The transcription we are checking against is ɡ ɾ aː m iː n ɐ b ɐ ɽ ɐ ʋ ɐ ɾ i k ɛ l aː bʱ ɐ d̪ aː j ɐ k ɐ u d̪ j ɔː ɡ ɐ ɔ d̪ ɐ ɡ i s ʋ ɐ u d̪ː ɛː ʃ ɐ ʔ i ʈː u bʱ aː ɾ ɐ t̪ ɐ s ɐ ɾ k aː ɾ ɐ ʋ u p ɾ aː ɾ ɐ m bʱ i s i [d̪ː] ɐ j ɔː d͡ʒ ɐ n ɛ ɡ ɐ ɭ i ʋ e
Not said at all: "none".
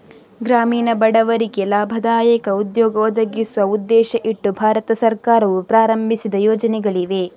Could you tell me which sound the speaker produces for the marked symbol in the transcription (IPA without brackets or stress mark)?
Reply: d̪